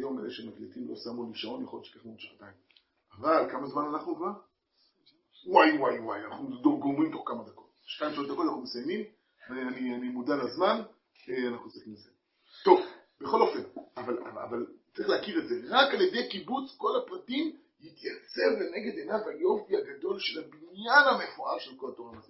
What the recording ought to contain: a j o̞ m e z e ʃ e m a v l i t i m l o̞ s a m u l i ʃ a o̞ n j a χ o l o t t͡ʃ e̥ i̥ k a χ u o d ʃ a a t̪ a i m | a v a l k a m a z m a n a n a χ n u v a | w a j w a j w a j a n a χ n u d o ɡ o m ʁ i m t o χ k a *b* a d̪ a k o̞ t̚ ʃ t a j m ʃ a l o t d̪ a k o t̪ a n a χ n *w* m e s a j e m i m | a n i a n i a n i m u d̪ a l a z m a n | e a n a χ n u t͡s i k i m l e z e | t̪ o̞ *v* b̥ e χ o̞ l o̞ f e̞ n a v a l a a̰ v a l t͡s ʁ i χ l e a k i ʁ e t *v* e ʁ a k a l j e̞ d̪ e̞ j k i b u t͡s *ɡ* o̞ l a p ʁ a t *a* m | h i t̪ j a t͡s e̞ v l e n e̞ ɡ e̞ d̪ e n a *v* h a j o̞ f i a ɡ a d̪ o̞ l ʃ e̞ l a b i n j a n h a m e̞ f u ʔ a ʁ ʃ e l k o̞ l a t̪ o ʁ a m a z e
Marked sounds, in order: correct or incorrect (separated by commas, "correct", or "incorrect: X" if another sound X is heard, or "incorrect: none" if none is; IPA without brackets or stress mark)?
incorrect: m, incorrect: u, correct, incorrect: z, incorrect: k, incorrect: i, correct